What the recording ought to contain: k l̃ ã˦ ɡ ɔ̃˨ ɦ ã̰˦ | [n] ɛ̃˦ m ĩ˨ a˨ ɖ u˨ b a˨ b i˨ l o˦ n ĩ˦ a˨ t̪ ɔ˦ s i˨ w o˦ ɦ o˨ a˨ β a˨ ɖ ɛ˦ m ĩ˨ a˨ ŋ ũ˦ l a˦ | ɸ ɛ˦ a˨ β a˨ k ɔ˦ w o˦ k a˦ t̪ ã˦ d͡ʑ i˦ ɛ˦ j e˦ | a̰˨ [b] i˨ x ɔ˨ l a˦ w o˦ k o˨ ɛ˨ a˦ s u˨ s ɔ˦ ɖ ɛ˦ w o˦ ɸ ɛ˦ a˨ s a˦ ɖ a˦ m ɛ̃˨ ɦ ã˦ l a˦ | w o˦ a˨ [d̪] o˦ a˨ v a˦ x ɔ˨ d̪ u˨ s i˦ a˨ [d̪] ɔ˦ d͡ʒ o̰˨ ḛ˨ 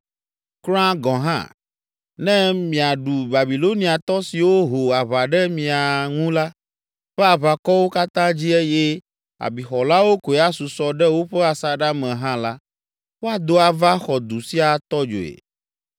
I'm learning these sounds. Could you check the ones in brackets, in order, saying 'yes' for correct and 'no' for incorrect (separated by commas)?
yes, yes, yes, no